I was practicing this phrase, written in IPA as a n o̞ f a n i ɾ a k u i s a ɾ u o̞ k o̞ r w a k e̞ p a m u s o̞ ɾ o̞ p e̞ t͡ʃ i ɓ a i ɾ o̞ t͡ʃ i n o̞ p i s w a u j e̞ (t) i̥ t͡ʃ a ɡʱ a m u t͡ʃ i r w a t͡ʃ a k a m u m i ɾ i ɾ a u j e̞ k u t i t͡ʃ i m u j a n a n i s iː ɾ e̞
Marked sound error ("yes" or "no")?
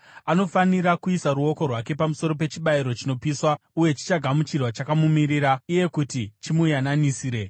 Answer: yes